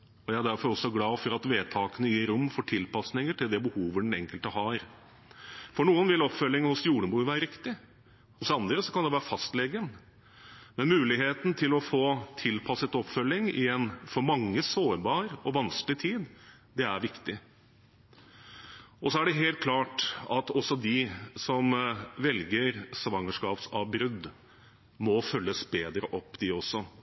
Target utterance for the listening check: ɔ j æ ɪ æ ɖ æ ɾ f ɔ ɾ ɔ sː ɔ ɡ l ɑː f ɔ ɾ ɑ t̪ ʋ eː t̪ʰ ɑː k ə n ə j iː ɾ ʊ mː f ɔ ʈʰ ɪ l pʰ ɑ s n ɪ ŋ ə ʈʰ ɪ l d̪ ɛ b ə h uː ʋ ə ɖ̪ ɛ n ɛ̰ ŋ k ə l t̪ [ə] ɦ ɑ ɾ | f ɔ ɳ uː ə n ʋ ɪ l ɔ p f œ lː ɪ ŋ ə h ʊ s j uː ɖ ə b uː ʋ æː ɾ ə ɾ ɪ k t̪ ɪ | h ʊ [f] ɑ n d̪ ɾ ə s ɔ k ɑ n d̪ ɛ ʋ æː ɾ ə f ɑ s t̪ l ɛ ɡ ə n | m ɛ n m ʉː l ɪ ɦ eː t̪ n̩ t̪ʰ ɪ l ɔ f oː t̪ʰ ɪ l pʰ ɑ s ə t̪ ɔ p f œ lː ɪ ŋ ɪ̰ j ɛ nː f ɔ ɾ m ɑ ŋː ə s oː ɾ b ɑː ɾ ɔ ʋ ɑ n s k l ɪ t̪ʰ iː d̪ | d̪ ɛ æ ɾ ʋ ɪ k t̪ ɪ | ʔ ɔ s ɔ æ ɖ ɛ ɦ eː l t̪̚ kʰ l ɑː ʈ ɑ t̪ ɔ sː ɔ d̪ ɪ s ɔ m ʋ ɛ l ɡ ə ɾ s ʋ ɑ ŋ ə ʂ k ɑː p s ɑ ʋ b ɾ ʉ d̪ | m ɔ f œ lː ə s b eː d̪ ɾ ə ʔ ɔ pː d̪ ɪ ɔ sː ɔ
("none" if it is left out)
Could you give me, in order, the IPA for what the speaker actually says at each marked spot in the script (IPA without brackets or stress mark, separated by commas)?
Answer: ə, s